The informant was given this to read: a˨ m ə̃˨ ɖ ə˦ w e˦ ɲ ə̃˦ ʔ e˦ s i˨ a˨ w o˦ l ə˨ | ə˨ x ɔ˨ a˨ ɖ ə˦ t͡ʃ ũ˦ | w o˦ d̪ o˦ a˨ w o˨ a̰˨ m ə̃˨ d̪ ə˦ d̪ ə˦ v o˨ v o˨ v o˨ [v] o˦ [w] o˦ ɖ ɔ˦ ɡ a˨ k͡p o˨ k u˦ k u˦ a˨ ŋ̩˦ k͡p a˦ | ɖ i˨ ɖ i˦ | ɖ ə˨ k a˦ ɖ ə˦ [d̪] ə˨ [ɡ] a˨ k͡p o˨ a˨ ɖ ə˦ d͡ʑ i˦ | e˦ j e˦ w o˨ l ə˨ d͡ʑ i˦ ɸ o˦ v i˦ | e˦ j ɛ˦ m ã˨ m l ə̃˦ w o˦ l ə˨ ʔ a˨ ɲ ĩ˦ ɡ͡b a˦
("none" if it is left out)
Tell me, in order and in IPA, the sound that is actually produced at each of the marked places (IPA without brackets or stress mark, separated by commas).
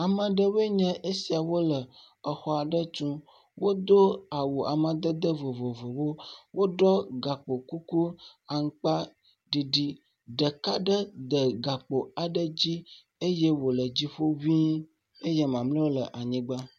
w, w, d̪, ɡ